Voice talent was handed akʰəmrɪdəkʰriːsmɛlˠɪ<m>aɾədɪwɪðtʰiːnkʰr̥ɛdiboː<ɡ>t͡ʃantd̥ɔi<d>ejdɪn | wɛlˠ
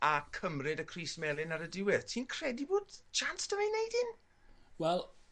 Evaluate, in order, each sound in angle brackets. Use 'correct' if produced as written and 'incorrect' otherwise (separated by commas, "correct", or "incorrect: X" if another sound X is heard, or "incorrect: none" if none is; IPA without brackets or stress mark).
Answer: incorrect: n, incorrect: d, incorrect: n